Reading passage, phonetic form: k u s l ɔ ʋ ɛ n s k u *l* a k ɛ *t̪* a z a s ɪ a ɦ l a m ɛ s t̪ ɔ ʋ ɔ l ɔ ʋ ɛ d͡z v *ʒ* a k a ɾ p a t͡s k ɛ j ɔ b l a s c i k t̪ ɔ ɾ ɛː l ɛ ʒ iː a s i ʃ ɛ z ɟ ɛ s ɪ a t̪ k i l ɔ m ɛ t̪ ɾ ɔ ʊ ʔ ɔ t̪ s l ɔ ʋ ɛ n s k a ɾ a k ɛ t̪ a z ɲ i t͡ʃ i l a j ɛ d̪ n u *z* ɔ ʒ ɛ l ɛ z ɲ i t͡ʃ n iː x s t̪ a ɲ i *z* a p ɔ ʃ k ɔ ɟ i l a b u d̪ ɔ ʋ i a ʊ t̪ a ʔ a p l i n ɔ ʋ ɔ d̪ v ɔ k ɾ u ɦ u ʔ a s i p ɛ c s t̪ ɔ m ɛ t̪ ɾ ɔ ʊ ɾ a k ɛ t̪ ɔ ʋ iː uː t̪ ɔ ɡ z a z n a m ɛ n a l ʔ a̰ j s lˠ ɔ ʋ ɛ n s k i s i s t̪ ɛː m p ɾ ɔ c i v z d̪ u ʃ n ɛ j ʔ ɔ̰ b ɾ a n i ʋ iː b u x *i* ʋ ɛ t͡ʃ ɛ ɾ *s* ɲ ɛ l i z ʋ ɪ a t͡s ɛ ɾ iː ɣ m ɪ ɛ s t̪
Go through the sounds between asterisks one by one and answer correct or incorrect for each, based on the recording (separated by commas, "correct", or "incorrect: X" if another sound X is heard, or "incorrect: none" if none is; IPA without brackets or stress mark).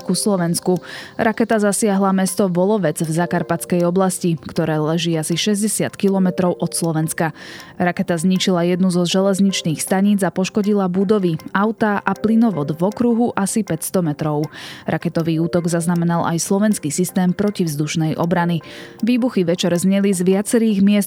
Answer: incorrect: ɾ, correct, incorrect: z, correct, incorrect: d͡z, correct, incorrect: z